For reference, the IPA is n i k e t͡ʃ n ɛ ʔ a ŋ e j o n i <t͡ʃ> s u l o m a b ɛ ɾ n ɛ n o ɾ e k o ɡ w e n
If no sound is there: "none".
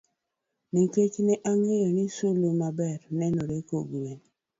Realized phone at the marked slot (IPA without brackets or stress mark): none